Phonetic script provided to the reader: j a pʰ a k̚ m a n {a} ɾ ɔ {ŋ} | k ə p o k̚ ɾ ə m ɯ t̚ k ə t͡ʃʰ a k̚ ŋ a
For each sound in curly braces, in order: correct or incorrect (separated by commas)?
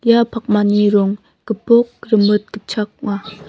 incorrect, correct